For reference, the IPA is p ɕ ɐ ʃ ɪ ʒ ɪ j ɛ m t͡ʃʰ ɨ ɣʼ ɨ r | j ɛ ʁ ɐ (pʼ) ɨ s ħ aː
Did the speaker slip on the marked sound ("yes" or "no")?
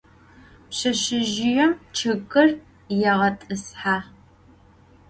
yes